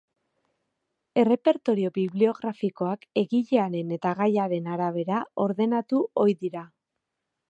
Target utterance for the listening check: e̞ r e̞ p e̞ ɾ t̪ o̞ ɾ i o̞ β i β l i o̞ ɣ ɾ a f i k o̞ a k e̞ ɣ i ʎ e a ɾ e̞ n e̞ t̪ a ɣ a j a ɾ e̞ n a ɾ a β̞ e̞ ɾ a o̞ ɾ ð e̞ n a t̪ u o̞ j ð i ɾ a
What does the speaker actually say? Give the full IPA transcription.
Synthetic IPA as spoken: e̞ r e̞ p e̞ ɾ t̪ o̞ ɾ i o̞ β i β l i o̞ ɣ ɾ a f i k o̞ a k e̞ ɣ i ʎ e a ɾ e̞ n e̞ t̪ a ɣ a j a ɾ e̞ n a ɾ a β̞ e̞ ɾ a o̞ ɾ ð e̞ n a t̪ u o̞ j ð i ɾ a